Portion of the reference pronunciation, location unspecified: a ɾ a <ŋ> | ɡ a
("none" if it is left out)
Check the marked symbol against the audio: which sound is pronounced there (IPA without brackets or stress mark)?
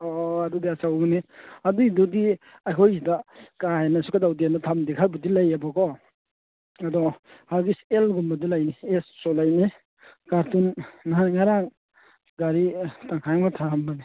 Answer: ŋ